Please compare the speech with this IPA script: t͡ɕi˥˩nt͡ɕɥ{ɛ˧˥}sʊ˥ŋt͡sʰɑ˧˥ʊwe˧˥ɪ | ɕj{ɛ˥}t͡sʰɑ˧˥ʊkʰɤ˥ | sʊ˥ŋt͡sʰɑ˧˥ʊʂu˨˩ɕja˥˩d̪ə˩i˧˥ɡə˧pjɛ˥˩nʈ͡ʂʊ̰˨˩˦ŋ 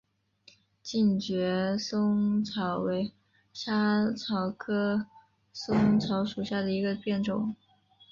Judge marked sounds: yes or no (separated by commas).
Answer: yes, no